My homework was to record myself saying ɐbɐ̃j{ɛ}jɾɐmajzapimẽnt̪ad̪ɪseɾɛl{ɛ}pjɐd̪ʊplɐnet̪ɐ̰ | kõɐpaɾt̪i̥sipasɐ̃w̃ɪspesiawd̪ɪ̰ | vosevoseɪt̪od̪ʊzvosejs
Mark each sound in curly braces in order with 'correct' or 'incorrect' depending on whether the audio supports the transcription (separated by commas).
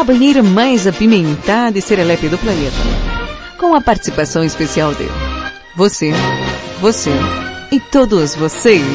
incorrect, correct